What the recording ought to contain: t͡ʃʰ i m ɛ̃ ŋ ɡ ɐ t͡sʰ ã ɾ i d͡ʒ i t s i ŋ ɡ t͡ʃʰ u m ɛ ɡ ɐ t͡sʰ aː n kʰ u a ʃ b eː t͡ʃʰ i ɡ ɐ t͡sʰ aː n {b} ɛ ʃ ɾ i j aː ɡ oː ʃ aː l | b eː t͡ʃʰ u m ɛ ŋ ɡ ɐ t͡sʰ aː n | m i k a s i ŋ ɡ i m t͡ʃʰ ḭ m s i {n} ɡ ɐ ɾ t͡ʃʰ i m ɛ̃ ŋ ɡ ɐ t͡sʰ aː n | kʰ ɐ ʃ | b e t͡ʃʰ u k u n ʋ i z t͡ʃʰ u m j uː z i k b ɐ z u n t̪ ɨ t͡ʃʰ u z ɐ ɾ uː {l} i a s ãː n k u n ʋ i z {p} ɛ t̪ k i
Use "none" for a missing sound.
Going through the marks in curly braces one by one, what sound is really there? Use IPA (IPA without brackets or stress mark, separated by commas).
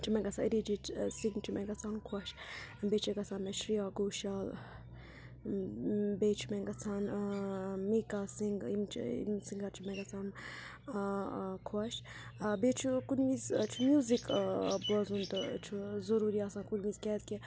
m, ŋ, ɾ, k